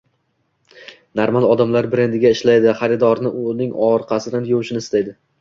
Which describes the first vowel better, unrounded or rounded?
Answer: unrounded